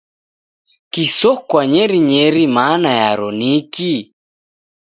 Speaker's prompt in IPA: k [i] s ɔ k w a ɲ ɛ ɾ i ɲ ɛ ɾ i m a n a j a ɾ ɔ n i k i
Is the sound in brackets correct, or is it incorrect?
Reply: correct